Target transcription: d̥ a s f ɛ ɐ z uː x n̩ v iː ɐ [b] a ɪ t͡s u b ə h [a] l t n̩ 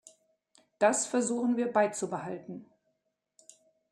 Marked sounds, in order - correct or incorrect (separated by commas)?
correct, correct